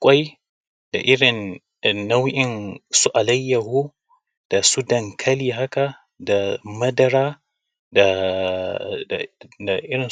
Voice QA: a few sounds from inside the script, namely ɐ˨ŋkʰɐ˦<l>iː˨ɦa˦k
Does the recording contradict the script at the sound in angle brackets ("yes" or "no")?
no